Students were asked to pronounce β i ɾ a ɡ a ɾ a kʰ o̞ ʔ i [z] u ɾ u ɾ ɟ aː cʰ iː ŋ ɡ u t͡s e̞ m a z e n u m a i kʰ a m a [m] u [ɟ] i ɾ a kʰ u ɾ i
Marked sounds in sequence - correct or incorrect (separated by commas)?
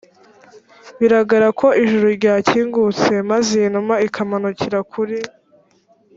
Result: incorrect, incorrect, incorrect